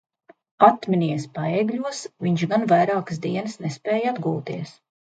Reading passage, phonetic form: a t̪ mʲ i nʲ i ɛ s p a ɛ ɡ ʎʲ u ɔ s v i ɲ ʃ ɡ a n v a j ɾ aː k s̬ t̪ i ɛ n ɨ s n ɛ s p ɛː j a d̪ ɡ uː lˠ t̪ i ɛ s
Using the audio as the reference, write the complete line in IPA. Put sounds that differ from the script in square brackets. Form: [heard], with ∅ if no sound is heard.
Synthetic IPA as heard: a t̪ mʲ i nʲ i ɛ s p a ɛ ɡ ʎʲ u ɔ s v i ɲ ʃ ɡ a n v a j ɾ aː k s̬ [d̪] i ɛ n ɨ s n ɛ s p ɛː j a d̪ ɡ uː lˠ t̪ i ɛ s